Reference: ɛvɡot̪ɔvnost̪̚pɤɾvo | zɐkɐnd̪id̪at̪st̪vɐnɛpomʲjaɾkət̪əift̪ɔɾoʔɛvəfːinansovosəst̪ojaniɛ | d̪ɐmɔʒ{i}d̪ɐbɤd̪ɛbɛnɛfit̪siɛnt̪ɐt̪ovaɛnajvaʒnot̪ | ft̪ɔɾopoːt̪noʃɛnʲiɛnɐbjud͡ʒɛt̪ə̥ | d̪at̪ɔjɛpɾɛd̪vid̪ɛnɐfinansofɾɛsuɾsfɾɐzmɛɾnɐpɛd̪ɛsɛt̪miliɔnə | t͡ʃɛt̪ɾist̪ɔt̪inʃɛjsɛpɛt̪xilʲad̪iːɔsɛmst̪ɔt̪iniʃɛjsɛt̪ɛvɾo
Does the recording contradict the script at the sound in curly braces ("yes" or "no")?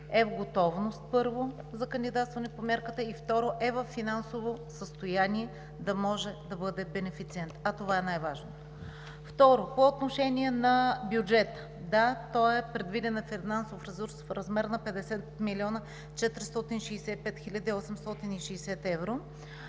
yes